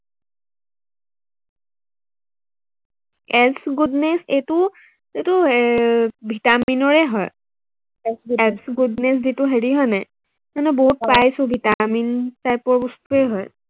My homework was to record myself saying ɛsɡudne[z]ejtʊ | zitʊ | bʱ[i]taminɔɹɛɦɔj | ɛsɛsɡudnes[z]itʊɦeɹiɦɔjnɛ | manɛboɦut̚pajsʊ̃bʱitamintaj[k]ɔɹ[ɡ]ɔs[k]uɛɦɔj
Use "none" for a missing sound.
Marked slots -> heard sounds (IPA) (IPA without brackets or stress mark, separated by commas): s, i, z, p, b, t